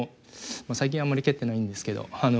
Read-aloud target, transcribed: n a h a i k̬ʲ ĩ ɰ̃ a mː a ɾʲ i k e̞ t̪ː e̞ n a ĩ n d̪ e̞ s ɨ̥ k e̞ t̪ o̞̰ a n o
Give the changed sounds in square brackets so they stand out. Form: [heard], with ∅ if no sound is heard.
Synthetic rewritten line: [m] a [s] a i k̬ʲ ĩ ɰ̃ a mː a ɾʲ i k e̞ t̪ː e̞ n a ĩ n d̪ e̞ s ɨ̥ k e̞ [d̪] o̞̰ a n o

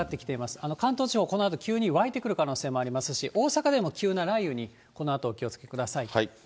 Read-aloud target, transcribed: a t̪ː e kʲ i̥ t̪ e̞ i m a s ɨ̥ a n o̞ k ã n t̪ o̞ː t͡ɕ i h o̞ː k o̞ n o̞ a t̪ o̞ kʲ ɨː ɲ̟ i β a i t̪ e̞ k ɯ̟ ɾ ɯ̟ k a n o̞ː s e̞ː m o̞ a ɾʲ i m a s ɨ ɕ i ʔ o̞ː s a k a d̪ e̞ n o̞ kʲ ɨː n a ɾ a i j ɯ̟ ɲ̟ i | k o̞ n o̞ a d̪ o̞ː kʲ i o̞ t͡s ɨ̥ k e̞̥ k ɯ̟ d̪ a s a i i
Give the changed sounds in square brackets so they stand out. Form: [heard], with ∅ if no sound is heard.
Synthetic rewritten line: a t̪ː e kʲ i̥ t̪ e̞ i m a s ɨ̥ a n o̞ k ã n t̪ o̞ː t͡ɕ i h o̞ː k o̞ n o̞ a t̪ o̞ kʲ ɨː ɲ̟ i β a i t̪ e̞ k ɯ̟ ɾ ɯ̟ k a n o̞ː s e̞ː m o̞ a ɾʲ i m a s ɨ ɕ i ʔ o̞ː s a k a d̪ e̞ [m] o̞ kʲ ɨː n a ɾ a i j ɯ̟ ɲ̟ i | k o̞ n o̞ a [t̪] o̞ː kʲ i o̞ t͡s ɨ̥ k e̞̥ k ɯ̟ d̪ a s a i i

